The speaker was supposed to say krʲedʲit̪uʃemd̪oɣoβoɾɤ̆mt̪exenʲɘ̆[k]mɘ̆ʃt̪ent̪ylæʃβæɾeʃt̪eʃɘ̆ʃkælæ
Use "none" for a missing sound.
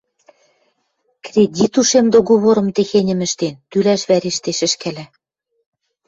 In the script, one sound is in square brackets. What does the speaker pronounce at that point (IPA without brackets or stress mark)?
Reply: none